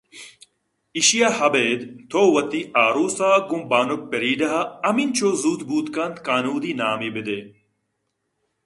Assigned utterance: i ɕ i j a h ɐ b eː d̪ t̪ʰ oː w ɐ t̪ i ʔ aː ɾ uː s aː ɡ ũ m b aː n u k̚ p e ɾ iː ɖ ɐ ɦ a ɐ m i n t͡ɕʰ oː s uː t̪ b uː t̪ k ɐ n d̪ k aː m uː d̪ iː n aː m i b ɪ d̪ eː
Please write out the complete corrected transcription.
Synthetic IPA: i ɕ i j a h ɐ b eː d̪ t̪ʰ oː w ɐ t̪ i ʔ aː ɾ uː s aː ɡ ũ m b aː n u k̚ p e ɾ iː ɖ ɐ ɦ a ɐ m i n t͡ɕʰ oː z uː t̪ b uː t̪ k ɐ n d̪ k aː n uː d̪ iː n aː m i b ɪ d̪ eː